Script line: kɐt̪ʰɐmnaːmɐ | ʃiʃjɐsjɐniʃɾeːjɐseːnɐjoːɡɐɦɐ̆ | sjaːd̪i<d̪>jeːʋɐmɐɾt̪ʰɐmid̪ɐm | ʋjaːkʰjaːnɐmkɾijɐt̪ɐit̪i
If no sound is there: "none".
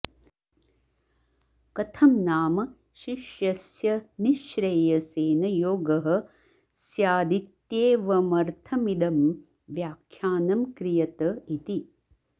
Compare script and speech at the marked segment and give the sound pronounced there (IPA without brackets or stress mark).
t̪